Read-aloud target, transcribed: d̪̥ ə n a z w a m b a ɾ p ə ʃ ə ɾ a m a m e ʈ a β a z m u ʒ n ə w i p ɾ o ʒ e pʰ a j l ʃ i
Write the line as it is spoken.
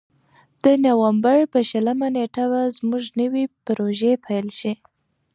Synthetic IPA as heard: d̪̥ ə n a w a m b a ɾ p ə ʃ ə l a m a n e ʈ a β a z m u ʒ n ə w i p ɾ o ʒ e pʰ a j l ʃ i